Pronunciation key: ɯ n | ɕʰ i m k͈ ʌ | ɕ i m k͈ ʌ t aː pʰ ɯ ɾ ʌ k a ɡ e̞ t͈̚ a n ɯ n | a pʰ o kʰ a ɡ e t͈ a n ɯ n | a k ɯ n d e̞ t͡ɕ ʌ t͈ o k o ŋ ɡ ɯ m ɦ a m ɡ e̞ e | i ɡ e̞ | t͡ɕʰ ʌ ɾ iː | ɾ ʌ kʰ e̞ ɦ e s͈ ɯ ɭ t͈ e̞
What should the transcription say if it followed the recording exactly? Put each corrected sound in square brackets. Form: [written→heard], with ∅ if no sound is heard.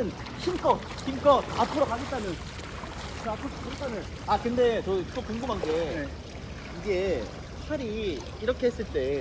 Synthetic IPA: ɯ n | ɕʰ i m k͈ ʌ | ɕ i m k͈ ʌ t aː pʰ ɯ ɾ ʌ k a ɡ e̞ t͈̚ a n ɯ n | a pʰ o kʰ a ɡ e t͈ a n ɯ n | a k ɯ n d e̞ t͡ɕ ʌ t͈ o k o ŋ ɡ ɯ m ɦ a [m→n] ɡ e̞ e | i ɡ e̞ | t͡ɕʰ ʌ ɾ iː | ɾ ʌ kʰ e̞ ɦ e s͈ ɯ ɭ t͈ e̞